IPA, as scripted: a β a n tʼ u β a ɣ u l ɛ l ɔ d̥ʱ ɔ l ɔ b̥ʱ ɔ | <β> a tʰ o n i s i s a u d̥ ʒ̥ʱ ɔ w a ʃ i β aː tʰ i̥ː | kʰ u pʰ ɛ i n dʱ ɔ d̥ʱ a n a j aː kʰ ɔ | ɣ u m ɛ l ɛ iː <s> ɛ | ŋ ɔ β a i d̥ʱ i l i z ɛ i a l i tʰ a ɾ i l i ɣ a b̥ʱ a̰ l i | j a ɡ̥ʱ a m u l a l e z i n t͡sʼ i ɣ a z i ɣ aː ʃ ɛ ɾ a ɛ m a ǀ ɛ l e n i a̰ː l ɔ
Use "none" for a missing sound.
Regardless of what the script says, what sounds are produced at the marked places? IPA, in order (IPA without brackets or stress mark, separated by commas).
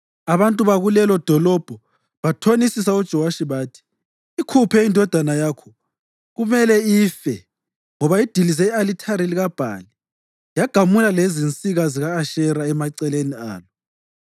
β, f